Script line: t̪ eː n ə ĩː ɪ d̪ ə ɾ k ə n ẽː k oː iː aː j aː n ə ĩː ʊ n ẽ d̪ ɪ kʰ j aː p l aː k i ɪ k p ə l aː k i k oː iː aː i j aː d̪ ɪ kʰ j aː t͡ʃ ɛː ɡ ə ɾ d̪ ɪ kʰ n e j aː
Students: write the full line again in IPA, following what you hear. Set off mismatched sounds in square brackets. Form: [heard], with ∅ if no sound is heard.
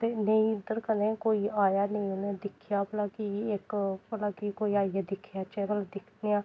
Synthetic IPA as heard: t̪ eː n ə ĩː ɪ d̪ ə ɾ k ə n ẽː k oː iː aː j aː n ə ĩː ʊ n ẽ d̪ ɪ kʰ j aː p l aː k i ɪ k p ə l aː k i k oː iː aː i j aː d̪ ɪ kʰ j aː t͡ʃ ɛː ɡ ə [l] d̪ ɪ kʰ n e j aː